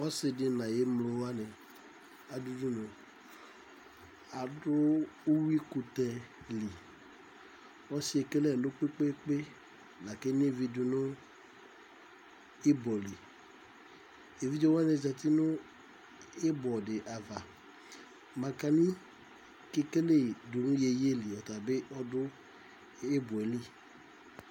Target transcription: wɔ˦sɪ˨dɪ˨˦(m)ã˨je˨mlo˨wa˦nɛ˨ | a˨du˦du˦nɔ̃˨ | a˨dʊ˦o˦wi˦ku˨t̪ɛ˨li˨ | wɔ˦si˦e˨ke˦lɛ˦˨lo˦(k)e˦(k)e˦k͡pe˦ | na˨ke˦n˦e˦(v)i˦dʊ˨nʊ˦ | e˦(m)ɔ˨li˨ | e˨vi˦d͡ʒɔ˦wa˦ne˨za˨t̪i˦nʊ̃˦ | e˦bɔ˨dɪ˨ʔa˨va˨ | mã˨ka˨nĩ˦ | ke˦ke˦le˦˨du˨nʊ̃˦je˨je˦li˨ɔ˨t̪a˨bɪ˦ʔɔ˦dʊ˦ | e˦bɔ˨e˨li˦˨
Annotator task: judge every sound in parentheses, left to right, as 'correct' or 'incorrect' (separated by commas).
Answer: incorrect, incorrect, incorrect, correct, incorrect